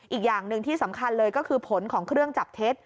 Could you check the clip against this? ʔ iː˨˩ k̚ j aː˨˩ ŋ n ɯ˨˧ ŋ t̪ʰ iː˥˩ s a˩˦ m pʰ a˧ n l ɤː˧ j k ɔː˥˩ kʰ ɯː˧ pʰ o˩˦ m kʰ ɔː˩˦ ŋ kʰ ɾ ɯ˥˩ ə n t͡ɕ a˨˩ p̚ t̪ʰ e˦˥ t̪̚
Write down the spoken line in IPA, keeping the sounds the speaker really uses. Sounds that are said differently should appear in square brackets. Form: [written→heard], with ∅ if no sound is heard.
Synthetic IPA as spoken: ʔ iː˨˩ k̚ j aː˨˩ ŋ n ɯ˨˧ ŋ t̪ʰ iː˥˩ s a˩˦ m [pʰ→kʰ] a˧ n l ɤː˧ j k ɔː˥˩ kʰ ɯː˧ pʰ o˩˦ [m→n] kʰ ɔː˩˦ ŋ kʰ ɾ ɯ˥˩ ə [n→ŋ] t͡ɕ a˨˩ p̚ t̪ʰ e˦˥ t̪̚